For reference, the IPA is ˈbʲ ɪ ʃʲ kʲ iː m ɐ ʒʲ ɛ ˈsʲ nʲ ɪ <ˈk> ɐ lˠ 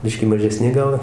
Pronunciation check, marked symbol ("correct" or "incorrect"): incorrect